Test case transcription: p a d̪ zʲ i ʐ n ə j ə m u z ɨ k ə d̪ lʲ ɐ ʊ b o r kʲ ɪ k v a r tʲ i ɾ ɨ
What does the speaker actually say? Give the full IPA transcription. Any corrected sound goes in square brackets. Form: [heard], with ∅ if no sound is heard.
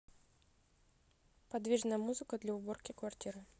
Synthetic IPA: p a d̪ [vʲ] i ʐ n ə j ə m u z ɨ k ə d̪ lʲ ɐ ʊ b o r kʲ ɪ k v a r tʲ i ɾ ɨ